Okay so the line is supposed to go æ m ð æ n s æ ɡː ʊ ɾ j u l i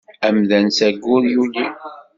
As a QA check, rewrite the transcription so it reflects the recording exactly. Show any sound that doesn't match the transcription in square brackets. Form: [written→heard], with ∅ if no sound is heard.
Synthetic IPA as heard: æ m ð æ n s æ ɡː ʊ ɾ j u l i